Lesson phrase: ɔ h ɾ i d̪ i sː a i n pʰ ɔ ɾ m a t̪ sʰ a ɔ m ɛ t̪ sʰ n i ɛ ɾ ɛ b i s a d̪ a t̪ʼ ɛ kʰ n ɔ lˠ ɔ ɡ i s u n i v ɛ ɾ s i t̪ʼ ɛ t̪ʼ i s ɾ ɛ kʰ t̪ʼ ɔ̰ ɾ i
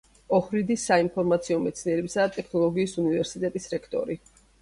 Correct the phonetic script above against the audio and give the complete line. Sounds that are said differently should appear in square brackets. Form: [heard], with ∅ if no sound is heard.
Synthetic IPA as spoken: ɔ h ɾ i d̪ i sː a i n pʰ ɔ ɾ m a t̪ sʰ [i] ɔ m ɛ t̪ sʰ n i ɛ ɾ ɛ b i s a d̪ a t̪ʼ ɛ kʰ n ɔ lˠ ɔ ɡ [iː] s u n i v ɛ ɾ s i t̪ʼ ɛ t̪ʼ i s ɾ ɛ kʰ t̪ʼ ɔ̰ ɾ i